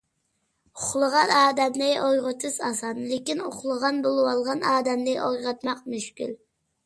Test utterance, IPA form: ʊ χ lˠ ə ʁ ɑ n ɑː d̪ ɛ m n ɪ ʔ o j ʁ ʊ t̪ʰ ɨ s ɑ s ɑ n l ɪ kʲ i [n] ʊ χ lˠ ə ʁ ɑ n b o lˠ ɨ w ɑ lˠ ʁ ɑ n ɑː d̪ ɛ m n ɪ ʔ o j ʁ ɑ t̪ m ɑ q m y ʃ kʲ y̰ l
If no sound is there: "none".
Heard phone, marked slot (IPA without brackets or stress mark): n